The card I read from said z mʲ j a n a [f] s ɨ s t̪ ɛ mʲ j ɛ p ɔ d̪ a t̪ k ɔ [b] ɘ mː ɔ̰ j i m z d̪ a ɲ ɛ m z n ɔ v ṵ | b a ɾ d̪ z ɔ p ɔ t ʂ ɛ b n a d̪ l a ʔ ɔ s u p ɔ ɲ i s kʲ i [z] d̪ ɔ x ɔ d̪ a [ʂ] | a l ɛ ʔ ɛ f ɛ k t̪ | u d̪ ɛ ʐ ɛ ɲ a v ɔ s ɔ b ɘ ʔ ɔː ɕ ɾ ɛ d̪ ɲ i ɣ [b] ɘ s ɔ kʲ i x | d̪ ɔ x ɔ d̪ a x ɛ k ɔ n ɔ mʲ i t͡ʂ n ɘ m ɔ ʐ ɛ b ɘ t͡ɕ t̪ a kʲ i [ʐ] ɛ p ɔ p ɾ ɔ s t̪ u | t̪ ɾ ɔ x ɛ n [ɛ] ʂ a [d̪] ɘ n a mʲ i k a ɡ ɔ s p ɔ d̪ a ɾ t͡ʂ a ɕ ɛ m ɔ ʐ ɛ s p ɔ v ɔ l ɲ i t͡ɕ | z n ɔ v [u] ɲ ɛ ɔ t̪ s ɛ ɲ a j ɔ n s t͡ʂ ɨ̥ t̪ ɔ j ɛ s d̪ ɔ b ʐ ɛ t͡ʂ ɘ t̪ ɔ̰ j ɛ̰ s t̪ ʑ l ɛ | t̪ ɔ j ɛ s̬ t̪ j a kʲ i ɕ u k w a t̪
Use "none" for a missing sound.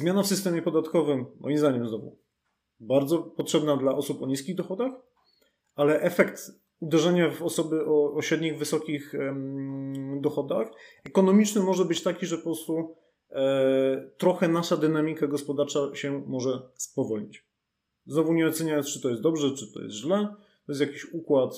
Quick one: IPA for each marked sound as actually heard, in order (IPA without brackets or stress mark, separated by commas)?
f, v, ɣ, x, v, ʐ, a, d̪, u